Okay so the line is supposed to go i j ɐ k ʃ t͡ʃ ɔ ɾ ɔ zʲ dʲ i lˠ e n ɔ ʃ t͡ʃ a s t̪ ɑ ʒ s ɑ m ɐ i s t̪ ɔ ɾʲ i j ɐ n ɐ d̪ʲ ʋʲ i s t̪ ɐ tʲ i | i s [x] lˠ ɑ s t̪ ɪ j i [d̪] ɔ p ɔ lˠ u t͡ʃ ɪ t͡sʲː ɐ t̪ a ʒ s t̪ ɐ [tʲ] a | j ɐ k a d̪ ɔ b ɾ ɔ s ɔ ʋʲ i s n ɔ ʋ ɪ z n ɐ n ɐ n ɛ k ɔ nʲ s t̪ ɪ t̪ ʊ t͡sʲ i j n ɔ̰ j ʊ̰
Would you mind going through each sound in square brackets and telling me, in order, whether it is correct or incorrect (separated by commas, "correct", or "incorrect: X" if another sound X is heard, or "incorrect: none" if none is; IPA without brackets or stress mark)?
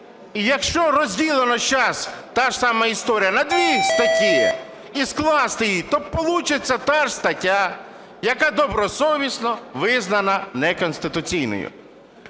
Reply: incorrect: k, incorrect: t̪, correct